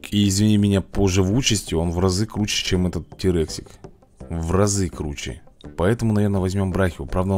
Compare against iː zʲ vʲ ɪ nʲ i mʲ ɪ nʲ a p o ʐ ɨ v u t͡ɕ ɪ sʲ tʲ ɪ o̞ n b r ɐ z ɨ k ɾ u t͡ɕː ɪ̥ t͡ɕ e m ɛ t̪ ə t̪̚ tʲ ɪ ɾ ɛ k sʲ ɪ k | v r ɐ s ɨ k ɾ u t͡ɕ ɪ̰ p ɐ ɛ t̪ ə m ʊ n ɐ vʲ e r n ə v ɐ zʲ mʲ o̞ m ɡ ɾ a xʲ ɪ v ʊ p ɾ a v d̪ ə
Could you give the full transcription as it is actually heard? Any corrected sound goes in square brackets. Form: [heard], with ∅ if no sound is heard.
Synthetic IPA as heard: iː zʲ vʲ ɪ nʲ i mʲ ɪ nʲ a p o ʐ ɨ v u t͡ɕ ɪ sʲ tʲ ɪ o̞ n [v] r ɐ z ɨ k ɾ u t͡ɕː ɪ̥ t͡ɕ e m ɛ t̪ ə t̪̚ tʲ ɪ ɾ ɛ k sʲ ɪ k | v r ɐ [z] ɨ k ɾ u t͡ɕ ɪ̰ p ɐ ɛ t̪ ə m ʊ n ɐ vʲ e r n ə v ɐ zʲ mʲ o̞ m [b] ɾ a xʲ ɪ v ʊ p ɾ a v d̪ ə